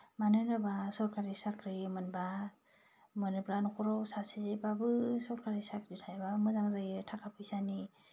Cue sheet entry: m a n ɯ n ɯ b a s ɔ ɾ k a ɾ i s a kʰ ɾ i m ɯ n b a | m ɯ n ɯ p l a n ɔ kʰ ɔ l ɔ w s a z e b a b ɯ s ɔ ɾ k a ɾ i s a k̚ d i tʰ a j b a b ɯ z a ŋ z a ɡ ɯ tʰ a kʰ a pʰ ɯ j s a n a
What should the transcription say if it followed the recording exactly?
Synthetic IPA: m a n ɯ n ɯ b a s ɔ ɾ k a ɾ i s a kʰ ɾ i m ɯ n b a | m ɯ n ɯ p l a n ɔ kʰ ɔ ɾ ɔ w s a s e b a b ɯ s ɔ ɾ k a ɾ i s a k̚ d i tʰ a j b a m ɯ z a ŋ z a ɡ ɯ tʰ a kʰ a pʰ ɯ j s a n i